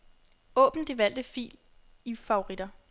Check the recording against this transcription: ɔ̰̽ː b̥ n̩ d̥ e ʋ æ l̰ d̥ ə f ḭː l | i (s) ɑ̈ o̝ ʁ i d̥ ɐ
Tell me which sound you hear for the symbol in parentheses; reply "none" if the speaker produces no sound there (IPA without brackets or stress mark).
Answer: f